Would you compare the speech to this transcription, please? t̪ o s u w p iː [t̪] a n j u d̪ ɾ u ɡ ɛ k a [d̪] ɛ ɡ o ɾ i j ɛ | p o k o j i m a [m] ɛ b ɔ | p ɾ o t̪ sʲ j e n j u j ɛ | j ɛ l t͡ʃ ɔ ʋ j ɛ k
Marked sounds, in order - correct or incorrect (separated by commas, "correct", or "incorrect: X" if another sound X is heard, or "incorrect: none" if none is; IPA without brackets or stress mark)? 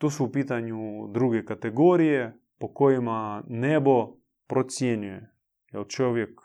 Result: correct, incorrect: t̪, incorrect: n